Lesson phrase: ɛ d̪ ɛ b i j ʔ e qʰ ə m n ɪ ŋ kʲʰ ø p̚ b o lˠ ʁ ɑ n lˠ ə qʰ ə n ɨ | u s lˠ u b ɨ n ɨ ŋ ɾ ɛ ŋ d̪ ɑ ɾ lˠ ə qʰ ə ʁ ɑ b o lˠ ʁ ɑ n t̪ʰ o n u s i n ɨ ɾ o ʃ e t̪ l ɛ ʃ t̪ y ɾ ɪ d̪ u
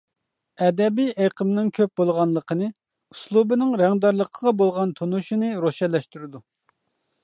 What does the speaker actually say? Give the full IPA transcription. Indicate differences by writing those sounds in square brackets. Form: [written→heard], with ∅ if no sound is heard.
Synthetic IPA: ɛ d̪ ɛ b i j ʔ e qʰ ə m n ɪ ŋ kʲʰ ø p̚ b o lˠ ʁ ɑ n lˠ ə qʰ ə n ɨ | u s lˠ u b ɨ n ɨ ŋ ɾ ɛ ŋ d̪ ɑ ɾ lˠ ə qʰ ə ʁ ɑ b o lˠ ʁ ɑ n t̪ʰ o n u [s→ʃ] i n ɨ ɾ o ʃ [e→ɛ] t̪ l ɛ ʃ t̪ y ɾ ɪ d̪ u